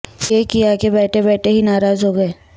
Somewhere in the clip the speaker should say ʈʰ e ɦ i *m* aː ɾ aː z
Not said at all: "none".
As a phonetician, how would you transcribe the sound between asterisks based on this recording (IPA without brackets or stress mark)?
n